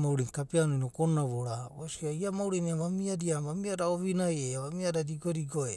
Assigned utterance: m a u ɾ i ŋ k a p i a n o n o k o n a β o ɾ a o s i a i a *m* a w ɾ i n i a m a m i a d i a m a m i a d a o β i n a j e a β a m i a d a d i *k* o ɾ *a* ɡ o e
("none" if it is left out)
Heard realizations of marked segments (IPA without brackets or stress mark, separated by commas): m, ɡ, i